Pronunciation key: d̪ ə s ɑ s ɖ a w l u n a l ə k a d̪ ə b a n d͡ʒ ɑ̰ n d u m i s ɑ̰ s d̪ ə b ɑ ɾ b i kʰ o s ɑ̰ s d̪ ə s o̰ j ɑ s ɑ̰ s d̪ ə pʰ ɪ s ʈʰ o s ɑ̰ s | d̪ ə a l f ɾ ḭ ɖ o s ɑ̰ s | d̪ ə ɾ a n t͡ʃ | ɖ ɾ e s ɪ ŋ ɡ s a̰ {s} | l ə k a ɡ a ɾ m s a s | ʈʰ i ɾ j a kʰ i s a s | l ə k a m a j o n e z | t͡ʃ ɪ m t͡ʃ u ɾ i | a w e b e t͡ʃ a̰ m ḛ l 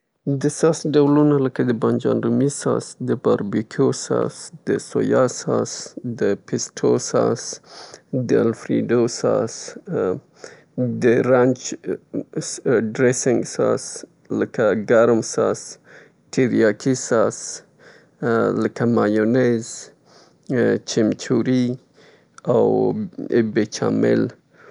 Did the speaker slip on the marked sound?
no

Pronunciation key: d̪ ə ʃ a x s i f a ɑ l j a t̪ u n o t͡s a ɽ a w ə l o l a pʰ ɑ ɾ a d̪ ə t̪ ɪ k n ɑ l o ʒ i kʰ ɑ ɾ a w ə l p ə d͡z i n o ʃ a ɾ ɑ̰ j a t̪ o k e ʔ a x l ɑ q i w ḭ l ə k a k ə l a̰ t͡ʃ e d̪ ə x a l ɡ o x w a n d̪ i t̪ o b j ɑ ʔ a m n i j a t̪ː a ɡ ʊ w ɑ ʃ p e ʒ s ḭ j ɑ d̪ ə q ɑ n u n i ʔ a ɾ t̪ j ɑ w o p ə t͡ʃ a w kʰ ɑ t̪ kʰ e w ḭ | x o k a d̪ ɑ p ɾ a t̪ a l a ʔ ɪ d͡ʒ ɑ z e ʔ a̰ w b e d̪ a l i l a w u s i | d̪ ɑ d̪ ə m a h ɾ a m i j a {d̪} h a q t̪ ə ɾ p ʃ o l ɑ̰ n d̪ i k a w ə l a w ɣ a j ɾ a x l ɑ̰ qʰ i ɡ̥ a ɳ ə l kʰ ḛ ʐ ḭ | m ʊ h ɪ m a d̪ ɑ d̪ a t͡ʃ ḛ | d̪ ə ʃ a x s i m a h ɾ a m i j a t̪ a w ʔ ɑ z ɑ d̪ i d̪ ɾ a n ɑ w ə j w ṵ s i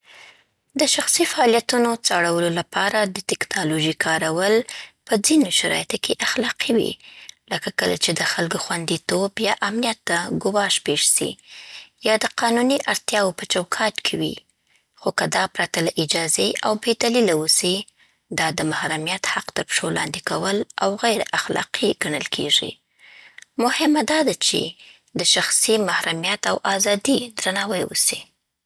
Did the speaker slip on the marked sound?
yes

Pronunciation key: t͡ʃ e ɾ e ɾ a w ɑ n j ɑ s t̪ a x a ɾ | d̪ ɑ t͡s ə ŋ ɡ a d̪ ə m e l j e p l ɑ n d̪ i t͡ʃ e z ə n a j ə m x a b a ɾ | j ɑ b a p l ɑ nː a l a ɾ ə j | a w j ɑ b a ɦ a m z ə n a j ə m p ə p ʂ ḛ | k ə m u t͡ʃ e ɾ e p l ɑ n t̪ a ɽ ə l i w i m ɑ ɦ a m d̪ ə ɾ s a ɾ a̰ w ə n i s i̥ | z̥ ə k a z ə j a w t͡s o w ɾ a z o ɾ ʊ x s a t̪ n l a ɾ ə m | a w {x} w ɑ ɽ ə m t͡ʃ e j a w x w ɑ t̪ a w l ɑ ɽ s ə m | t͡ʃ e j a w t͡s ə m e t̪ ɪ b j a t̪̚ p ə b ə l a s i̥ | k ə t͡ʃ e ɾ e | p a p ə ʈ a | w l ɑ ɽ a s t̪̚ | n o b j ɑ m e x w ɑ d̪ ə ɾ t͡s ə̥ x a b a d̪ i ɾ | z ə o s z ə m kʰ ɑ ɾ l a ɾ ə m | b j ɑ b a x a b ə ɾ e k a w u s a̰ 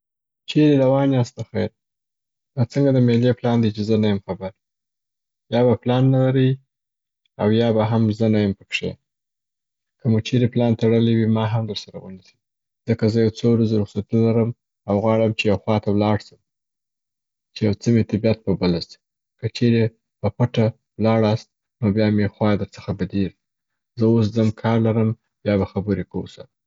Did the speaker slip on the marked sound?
yes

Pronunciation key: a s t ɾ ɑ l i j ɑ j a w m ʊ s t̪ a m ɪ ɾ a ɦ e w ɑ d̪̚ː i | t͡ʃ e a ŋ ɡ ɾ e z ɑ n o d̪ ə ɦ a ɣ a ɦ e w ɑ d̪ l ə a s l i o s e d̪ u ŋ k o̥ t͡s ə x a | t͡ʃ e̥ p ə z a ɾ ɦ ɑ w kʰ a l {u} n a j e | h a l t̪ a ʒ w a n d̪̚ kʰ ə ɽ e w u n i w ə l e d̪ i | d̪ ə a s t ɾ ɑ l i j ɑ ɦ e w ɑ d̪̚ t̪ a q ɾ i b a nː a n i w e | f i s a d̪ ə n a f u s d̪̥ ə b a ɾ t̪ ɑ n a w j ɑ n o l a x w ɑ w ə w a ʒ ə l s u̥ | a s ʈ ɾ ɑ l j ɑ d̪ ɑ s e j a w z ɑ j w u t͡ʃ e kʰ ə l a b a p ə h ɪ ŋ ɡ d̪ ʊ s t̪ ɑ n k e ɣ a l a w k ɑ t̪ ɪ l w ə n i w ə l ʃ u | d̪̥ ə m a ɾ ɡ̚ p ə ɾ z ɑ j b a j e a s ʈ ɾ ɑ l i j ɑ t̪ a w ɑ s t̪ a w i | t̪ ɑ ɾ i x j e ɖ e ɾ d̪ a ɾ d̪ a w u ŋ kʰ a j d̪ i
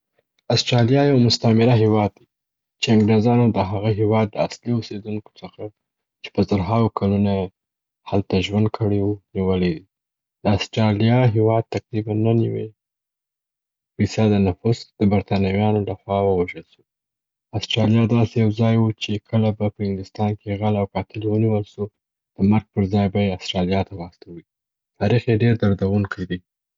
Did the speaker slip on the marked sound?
no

